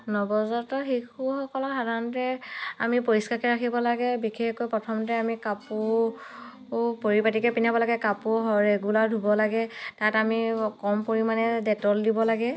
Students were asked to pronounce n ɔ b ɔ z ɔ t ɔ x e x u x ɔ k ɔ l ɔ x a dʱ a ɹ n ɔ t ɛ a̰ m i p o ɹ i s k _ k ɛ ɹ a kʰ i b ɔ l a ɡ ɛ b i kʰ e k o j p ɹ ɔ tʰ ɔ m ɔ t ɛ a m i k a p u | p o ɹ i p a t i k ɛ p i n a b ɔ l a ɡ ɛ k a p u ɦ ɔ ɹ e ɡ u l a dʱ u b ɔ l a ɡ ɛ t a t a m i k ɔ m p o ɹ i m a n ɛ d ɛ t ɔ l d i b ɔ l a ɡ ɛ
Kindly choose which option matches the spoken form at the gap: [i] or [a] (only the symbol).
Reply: a